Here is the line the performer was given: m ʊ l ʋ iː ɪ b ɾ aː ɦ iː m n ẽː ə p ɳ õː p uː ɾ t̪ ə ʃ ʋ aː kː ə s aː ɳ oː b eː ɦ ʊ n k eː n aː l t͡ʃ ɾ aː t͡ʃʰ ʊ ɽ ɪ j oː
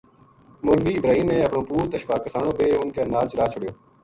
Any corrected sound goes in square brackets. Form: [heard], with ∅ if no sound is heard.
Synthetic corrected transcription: m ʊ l ʋ iː ɪ b ɾ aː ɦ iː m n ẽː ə p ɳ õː p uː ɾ t̪ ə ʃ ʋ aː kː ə s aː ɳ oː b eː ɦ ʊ n k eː n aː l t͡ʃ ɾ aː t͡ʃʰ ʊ ɽ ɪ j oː